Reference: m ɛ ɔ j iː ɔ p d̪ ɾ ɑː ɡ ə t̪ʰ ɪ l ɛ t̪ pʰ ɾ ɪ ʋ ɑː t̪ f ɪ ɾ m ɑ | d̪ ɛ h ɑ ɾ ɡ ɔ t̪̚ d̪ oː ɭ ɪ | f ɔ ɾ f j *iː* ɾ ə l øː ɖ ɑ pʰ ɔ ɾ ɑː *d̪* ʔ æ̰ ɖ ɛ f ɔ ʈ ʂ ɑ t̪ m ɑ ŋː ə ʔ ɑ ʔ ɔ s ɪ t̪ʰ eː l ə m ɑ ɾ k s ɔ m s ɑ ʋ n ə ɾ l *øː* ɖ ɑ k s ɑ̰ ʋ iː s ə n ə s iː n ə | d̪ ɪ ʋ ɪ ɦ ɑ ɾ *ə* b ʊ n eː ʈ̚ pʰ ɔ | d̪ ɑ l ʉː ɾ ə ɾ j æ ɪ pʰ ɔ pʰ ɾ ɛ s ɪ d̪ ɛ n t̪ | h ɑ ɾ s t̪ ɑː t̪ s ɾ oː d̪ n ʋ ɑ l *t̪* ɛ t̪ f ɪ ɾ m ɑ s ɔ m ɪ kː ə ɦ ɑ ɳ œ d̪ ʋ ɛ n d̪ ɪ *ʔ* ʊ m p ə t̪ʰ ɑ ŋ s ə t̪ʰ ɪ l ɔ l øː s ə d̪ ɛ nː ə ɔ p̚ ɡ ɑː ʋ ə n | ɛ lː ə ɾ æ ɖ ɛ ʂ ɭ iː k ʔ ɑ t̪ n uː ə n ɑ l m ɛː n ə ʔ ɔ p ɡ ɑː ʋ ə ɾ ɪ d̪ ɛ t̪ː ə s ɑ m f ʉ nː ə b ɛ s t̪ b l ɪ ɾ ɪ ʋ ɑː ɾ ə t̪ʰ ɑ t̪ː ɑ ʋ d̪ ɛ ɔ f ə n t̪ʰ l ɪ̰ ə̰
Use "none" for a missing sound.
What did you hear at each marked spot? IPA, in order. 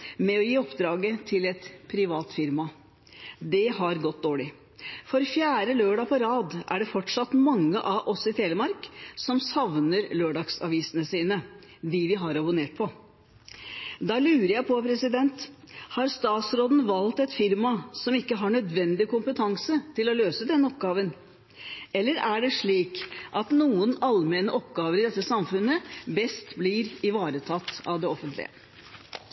æː, d̪, øː, ɑ, t̪, k

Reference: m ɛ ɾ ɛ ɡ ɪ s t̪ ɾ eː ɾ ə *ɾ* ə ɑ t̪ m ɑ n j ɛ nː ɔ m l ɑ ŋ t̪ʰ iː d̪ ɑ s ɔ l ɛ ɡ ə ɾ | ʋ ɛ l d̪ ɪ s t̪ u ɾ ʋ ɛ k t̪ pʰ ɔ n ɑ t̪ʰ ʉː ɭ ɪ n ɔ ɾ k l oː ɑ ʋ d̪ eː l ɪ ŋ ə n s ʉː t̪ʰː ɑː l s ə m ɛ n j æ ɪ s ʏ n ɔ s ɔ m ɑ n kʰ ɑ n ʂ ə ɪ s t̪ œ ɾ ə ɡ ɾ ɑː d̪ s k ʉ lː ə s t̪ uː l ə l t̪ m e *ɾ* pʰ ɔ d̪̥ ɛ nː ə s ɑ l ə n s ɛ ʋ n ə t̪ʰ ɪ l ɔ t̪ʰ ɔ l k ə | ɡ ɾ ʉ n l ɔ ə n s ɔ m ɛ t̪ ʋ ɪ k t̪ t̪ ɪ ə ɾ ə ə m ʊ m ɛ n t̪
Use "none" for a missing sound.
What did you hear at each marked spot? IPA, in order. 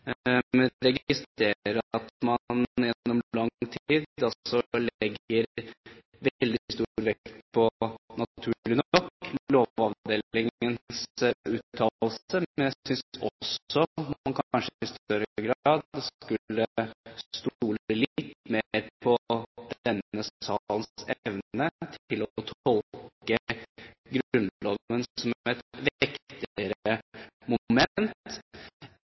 ɾ, ɾ

